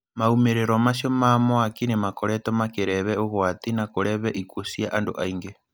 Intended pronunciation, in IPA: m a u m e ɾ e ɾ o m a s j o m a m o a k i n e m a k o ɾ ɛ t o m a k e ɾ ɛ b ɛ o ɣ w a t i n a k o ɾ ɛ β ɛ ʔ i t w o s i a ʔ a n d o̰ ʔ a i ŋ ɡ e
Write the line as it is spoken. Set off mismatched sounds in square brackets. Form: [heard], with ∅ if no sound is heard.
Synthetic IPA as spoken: m a u m e ɾ e ɾ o m a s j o m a m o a k i n e m a k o ɾ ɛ t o m a k e ɾ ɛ [β] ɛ o ɣ w a t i n a k o ɾ ɛ β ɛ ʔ i [k] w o s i a ʔ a n d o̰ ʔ a i ŋ ɡ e